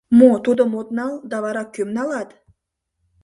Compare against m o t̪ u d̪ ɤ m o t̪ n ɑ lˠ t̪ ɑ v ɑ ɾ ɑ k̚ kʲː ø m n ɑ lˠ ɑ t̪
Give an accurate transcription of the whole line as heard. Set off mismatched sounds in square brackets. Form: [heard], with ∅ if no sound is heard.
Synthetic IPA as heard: m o t̪ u d̪ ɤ m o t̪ n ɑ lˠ [d̪] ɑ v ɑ ɾ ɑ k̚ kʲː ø m n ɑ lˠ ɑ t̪